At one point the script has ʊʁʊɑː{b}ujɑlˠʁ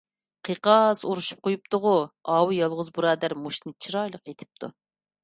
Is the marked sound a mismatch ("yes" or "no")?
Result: yes